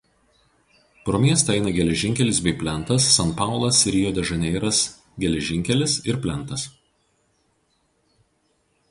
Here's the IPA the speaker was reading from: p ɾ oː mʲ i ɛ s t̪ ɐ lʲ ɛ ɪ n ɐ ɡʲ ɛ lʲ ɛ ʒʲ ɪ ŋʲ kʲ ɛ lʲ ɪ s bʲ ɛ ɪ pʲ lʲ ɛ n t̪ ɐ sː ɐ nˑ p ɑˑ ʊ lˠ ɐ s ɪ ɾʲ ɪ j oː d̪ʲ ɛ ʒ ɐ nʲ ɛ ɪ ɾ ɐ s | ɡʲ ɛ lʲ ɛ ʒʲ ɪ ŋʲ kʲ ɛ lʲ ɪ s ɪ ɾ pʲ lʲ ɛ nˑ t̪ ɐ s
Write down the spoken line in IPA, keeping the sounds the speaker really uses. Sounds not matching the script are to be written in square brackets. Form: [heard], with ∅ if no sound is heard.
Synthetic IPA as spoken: p ɾ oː mʲ i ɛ s t̪ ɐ [∅] ɛ ɪ n ɐ ɡʲ ɛ lʲ ɛ ʒʲ ɪ ŋʲ kʲ ɛ lʲ ɪ s bʲ ɛ ɪ pʲ lʲ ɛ n t̪ ɐ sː ɐ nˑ p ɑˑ ʊ lˠ ɐ s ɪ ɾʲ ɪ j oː d̪ʲ ɛ ʒ ɐ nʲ ɛ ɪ ɾ ɐ s | ɡʲ ɛ lʲ ɛ ʒʲ ɪ ŋʲ kʲ ɛ lʲ ɪ s ɪ ɾ pʲ lʲ ɛ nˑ t̪ ɐ s